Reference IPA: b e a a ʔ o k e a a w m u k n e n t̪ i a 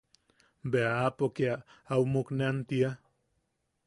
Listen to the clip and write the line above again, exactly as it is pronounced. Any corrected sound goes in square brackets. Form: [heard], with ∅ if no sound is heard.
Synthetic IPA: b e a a [p] o k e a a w m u k n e n t̪ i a